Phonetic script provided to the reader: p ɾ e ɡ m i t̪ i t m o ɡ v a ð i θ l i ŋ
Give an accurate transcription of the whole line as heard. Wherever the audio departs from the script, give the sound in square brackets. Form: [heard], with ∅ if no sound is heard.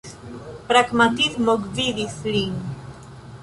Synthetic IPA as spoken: p ɾ [a] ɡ m [a] t̪ i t m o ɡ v [i] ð i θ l i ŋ